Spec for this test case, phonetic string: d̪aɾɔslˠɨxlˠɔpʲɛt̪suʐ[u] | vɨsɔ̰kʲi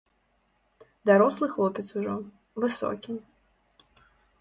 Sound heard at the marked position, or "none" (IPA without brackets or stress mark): ɔ